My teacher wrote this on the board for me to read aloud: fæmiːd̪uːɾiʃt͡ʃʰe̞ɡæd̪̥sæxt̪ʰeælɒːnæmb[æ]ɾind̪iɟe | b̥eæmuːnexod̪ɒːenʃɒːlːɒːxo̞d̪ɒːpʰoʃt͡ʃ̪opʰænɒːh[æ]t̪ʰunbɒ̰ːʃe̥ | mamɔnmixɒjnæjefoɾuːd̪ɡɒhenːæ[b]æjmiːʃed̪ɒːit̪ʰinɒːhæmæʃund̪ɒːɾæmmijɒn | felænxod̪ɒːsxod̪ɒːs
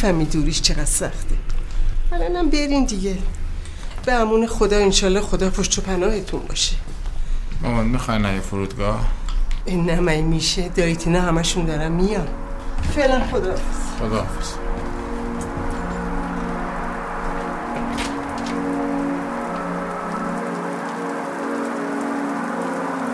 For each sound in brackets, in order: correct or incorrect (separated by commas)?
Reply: incorrect, incorrect, incorrect